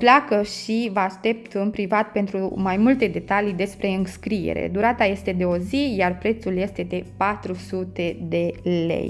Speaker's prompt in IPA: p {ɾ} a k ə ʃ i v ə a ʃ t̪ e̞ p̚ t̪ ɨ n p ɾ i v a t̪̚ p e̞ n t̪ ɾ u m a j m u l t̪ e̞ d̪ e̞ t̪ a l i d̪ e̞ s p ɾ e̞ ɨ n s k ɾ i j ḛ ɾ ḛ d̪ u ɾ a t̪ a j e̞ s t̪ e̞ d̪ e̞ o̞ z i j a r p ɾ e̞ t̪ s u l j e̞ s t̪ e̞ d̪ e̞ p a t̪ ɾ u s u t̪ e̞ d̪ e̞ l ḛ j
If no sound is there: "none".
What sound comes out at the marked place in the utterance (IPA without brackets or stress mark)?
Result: l